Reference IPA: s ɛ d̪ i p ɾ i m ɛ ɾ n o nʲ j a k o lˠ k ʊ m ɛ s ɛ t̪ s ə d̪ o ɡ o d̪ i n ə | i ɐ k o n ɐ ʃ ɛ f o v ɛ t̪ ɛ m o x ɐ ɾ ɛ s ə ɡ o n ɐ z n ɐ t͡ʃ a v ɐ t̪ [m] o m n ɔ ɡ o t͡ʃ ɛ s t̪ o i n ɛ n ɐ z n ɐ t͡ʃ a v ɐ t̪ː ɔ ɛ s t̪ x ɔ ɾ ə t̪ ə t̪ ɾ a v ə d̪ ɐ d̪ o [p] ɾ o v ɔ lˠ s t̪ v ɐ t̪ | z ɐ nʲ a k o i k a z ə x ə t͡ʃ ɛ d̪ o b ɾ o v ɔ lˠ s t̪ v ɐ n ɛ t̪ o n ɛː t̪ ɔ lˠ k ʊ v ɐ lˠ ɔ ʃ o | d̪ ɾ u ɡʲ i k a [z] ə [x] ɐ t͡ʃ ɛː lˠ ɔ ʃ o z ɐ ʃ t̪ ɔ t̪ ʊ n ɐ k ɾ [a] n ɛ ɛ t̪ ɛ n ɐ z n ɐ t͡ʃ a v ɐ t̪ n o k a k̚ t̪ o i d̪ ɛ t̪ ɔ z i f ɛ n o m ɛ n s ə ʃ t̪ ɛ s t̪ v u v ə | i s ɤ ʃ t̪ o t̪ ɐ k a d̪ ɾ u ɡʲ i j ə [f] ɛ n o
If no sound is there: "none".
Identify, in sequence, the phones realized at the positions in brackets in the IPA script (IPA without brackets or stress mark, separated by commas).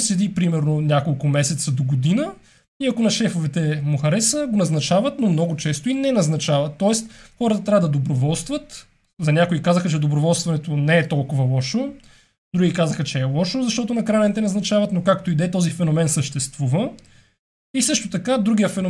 n, b, z, x, a, f